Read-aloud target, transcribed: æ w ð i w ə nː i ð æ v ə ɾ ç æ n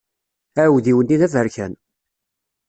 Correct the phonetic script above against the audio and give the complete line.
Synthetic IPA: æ w ð i w ə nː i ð æ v ə ɾ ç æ n